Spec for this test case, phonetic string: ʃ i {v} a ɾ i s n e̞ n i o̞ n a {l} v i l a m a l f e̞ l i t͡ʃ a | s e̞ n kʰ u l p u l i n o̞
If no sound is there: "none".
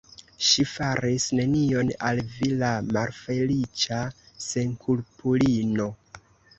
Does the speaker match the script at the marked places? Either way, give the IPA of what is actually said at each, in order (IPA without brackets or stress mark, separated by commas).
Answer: f, l